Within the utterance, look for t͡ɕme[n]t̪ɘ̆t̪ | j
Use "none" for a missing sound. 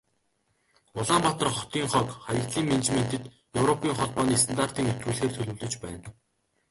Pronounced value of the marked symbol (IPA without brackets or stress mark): n